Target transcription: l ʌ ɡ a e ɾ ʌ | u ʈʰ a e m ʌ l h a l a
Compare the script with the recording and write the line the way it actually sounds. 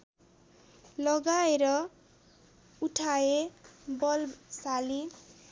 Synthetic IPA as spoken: l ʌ ɡ a e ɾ ʌ | u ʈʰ a e b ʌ l s a l i